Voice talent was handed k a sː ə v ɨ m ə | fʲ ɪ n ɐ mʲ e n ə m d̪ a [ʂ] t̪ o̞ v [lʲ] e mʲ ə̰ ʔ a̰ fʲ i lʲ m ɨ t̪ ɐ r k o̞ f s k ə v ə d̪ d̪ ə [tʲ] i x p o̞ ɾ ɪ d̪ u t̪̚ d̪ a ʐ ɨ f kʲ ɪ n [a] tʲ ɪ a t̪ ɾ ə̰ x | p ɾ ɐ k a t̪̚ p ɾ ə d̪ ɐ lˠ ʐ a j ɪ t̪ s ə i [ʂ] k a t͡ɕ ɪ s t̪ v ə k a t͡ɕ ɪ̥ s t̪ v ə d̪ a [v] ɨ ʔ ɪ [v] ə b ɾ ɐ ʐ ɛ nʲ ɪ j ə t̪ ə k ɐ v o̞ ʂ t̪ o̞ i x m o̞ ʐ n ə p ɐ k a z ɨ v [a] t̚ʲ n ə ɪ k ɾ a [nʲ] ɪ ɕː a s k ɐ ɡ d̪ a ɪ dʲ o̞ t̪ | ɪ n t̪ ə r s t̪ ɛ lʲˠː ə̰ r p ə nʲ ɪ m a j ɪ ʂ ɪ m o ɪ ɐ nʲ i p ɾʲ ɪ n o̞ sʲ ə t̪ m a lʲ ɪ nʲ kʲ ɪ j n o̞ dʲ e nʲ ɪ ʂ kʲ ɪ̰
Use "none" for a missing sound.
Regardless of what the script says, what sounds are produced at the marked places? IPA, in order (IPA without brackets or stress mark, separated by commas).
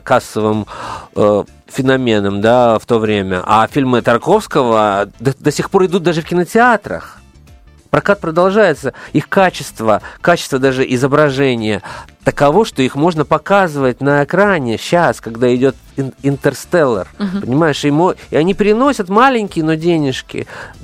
f, ɾʲ, sʲ, ə, x, ʐ, z, ə, nʲ